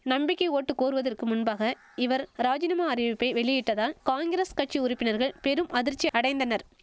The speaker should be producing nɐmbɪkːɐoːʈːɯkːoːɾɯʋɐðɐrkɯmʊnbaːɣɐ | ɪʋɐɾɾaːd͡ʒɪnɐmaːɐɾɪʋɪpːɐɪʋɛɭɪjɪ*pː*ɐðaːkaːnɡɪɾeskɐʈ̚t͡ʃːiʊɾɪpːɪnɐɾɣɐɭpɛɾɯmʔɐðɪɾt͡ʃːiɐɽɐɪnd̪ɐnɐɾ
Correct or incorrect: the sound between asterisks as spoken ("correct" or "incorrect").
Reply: incorrect